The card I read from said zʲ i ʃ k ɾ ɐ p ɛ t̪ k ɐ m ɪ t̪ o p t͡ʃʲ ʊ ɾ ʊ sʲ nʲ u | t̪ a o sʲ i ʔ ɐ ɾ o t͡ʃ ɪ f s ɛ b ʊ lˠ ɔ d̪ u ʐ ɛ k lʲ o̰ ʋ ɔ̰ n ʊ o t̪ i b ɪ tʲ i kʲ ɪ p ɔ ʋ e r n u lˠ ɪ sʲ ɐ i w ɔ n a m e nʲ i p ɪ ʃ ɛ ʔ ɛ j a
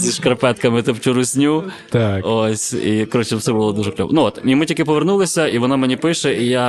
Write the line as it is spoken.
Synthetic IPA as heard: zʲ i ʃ k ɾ ɐ p ɛ t̪ k ɐ m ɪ t̪ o p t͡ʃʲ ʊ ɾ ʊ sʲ nʲ u | t̪ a o sʲ i k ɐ ɾ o t͡ʃ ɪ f s ɛ b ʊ lˠ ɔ d̪ u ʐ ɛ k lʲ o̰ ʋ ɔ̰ n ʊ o t̪ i m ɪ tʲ i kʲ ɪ p ɔ ʋ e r n u lˠ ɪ sʲ ɐ i ʋ ɔ n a m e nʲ i p ɪ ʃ ɛ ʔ i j a